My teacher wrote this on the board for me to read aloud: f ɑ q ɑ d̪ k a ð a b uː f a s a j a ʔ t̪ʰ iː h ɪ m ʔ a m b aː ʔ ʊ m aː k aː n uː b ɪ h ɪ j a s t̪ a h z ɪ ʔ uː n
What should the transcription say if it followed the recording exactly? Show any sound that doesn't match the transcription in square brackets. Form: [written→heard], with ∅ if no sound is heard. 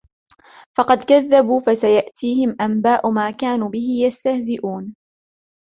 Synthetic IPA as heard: f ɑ q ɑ d̪ k a [ð→ðː] a b uː f a s a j a ʔ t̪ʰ iː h ɪ m ʔ a m b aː ʔ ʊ m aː k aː n uː b ɪ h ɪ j a s t̪ a h z ɪ ʔ uː n